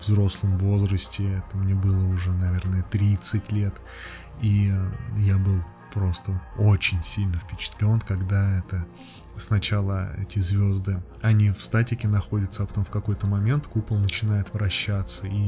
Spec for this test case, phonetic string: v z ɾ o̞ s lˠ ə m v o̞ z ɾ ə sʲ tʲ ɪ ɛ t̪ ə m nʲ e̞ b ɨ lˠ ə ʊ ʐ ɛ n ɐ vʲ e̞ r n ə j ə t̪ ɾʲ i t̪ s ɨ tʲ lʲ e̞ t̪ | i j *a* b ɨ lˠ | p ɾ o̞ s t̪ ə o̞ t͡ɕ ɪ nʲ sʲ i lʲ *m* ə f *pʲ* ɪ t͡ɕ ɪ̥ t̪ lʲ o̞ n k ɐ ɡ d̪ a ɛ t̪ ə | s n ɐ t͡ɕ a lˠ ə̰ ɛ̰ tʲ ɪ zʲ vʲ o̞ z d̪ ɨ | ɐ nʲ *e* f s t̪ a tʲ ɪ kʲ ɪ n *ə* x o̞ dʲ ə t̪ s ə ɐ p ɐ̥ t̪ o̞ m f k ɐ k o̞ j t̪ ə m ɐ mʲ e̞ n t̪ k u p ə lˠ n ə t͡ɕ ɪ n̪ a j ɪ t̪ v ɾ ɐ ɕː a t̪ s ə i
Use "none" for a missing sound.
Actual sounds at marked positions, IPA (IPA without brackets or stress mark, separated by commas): a, n, pʲ, i, ɐ